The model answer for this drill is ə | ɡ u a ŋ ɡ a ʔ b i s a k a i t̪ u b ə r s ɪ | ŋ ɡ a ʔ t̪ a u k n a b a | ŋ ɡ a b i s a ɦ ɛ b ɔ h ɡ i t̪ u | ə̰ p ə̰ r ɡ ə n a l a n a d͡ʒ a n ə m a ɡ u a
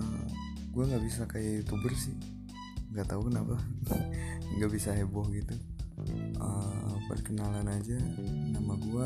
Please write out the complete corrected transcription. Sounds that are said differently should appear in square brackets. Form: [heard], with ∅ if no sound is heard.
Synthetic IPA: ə | ɡ u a ŋ ɡ a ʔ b i s a k a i t̪ u b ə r s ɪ | ŋ ɡ a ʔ t̪ a u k n a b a | ŋ ɡ a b i s a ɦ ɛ b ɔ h ɡ i t̪ u | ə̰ p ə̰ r [k] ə n a l a n a d͡ʒ a n [a] m a ɡ u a